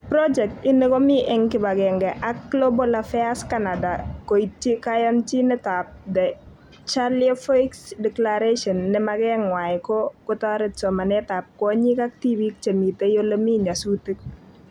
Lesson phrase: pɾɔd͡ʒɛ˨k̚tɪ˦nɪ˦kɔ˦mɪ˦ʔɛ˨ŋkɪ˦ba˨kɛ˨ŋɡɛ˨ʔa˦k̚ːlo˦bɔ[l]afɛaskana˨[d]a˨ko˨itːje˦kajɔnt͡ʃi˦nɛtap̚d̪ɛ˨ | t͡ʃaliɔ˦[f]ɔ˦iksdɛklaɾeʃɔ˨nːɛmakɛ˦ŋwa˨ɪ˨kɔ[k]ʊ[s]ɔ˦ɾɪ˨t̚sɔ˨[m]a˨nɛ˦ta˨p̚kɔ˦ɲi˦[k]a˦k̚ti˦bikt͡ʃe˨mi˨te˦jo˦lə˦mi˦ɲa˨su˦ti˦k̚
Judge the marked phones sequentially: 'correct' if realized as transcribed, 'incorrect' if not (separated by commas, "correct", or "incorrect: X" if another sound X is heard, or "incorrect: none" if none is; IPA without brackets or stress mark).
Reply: correct, correct, correct, correct, incorrect: t, correct, correct